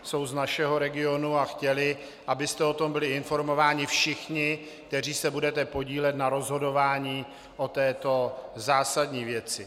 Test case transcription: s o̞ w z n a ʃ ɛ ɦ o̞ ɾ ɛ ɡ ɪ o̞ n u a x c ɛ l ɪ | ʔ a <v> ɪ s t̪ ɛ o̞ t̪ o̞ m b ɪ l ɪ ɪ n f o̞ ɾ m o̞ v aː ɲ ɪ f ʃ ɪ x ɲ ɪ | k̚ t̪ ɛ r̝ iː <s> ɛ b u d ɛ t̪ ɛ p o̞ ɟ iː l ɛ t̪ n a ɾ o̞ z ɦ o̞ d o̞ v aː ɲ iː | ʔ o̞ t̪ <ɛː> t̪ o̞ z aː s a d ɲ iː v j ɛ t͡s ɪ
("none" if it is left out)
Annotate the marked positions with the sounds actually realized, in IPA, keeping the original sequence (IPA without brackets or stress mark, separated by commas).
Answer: b, s, ɛː